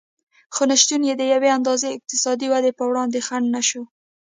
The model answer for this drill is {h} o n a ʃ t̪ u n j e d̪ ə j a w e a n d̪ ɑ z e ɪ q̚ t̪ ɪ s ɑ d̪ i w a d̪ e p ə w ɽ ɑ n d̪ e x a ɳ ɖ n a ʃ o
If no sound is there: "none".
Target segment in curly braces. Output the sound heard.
x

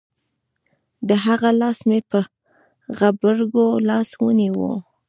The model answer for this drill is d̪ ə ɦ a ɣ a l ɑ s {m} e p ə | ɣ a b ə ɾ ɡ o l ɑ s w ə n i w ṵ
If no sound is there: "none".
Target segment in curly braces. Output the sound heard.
m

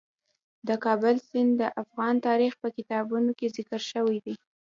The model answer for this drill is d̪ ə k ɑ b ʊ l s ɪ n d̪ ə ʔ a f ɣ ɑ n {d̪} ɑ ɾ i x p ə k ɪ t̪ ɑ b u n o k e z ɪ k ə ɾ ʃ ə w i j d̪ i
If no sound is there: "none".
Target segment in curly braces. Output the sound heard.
t̪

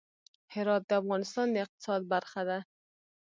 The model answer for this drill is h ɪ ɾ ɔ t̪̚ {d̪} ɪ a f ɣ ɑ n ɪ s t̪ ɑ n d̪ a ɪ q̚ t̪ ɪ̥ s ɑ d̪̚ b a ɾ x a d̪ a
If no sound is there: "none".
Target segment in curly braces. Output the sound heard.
d̪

